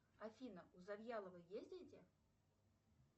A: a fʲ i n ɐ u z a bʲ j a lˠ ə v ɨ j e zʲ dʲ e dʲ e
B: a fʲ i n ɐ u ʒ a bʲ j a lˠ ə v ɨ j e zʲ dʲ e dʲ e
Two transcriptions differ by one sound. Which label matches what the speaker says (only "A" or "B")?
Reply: A